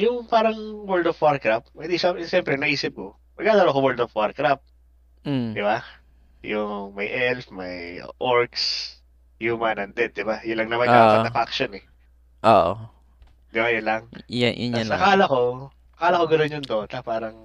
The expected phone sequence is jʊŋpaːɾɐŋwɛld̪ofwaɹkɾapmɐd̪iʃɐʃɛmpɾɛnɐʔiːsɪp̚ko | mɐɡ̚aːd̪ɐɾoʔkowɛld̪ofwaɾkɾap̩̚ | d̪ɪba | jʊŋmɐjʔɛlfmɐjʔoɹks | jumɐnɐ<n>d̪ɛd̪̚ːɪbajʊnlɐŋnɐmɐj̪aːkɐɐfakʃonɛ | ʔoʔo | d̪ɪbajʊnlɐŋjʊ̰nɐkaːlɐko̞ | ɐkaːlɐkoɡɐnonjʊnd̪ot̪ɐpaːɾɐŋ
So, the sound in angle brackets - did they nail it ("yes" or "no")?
yes